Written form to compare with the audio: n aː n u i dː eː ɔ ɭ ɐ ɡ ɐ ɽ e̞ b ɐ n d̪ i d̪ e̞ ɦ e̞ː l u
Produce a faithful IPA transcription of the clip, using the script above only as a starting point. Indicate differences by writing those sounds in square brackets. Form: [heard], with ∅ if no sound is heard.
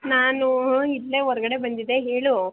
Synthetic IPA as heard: n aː n u i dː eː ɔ [ɾ] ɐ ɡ ɐ ɽ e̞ b ɐ n d̪ i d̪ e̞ ɦ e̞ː [ɭ] u